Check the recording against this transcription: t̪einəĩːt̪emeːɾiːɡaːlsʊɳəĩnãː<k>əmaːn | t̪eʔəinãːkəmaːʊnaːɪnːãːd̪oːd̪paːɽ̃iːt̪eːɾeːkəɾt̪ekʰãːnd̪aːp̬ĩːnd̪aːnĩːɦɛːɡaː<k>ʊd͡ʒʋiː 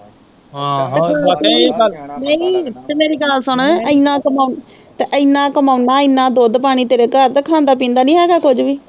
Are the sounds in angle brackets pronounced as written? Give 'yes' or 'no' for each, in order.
yes, yes

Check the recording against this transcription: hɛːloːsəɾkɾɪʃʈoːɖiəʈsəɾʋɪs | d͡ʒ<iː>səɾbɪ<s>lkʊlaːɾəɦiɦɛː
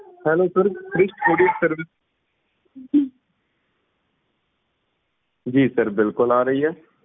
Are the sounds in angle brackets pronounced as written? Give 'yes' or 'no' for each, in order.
yes, no

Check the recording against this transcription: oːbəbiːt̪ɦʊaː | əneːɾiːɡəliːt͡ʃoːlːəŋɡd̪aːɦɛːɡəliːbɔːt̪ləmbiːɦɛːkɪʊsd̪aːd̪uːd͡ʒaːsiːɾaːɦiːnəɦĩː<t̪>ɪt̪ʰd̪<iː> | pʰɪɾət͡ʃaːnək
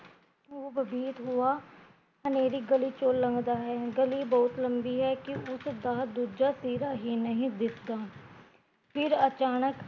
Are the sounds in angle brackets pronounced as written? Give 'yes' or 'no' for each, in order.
no, no

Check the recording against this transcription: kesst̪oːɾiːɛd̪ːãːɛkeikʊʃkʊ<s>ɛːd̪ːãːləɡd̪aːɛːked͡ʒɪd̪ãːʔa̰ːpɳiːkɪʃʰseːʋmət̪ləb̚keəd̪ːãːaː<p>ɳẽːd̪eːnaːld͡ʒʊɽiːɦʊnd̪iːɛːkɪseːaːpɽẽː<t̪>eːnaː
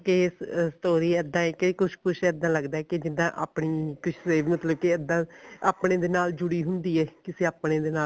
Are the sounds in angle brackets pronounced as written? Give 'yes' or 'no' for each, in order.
no, yes, no

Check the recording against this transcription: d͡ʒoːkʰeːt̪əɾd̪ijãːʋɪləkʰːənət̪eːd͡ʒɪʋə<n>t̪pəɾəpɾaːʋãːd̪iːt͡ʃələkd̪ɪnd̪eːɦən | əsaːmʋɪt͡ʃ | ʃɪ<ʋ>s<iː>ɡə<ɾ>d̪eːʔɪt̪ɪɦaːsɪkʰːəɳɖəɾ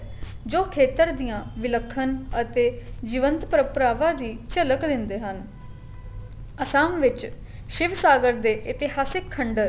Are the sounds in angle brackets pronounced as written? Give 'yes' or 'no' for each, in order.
yes, yes, no, yes

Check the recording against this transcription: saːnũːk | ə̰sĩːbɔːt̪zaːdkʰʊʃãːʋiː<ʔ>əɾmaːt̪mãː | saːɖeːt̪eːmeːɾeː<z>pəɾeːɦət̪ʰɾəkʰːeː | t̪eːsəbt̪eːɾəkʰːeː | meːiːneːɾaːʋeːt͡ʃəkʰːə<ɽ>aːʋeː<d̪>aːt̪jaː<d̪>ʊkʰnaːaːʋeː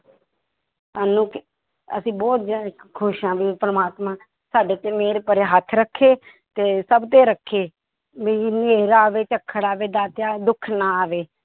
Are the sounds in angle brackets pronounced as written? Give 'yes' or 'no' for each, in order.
no, no, yes, yes, yes

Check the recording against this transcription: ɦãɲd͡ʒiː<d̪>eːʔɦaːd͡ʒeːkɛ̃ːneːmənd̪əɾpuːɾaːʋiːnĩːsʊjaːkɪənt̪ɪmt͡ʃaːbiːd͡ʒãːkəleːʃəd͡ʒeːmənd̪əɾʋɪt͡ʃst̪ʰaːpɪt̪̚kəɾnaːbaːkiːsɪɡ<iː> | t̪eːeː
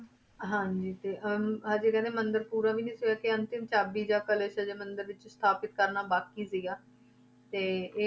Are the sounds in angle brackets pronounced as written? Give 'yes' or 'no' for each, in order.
no, no

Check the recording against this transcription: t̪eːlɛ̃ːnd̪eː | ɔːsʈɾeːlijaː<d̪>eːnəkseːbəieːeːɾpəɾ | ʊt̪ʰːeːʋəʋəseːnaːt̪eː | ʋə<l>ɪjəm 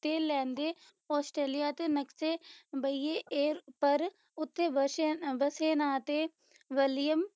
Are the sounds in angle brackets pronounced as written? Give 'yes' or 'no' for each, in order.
no, yes

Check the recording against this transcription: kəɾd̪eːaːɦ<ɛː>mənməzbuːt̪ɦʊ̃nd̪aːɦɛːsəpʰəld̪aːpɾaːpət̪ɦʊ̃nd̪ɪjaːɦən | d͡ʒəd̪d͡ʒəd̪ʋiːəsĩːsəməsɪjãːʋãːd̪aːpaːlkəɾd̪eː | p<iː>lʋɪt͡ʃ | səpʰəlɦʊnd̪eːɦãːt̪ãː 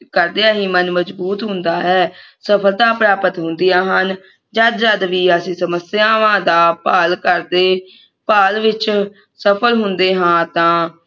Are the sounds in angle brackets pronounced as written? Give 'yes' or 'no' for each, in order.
no, no

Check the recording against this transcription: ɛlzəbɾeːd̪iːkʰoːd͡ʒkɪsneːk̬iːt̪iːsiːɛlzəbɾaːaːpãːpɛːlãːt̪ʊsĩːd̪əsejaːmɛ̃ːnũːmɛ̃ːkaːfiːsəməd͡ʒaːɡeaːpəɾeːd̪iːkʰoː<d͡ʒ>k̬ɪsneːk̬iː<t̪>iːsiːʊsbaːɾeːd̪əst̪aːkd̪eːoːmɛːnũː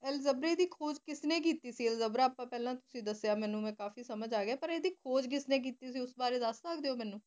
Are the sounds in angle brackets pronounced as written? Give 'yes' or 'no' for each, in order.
yes, yes

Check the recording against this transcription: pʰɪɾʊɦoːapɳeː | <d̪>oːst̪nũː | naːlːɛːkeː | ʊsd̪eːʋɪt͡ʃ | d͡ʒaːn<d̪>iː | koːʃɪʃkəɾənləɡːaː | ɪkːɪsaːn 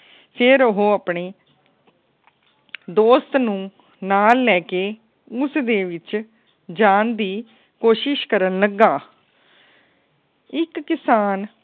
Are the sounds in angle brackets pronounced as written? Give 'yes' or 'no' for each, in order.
yes, yes

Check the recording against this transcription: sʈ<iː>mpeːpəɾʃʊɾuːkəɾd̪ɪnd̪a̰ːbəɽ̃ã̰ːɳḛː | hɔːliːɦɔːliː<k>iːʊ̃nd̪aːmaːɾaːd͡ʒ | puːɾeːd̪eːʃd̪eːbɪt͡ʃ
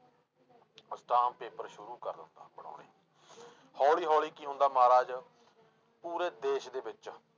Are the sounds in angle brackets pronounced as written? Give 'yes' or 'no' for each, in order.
no, yes

